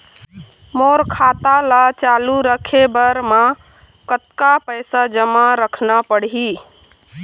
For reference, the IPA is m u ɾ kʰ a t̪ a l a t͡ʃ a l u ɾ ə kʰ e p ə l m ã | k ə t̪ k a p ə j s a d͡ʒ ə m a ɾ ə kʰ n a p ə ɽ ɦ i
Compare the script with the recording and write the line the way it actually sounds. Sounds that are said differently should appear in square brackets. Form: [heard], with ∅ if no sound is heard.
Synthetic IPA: m [o] ɾ kʰ a t̪ a l a t͡ʃ a l u ɾ ə kʰ e [b] ə [ɾ] m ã | k ə t̪ k a p ə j s a d͡ʒ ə m a ɾ ə kʰ n a p ə ɽ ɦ i